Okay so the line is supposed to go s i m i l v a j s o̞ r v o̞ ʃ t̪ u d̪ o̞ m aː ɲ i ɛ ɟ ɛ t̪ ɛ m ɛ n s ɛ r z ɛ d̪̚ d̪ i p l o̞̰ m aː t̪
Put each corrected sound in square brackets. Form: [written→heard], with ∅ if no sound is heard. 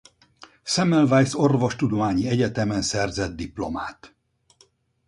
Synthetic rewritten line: s [i→ɛ] m [i→ɛ] l v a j s o̞ r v o̞ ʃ t̪ u d̪ o̞ m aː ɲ i ɛ ɟ ɛ t̪ ɛ m ɛ n s ɛ r z ɛ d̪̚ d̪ i p l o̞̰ m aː t̪